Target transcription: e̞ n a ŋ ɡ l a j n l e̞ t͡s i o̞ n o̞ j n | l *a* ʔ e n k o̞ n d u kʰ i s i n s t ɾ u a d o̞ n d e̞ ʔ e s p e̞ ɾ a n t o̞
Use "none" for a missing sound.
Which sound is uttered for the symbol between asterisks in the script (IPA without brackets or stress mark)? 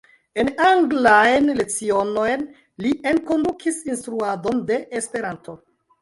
i